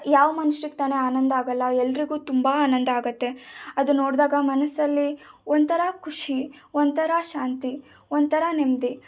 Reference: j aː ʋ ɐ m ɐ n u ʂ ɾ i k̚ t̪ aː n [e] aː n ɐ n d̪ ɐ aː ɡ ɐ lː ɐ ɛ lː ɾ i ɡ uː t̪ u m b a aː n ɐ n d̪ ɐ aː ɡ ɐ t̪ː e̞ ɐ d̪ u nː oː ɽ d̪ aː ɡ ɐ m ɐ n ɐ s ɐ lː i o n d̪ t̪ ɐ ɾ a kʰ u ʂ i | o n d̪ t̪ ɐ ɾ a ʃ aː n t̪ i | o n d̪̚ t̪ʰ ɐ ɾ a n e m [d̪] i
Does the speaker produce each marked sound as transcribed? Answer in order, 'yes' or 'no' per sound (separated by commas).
yes, yes